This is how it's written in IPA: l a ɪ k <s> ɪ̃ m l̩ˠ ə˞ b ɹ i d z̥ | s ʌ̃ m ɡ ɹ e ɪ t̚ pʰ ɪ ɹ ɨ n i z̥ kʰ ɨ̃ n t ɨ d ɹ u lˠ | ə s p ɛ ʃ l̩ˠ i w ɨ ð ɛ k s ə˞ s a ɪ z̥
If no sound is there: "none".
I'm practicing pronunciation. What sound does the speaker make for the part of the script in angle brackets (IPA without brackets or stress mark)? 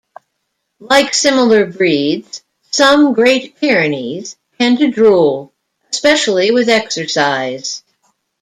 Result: s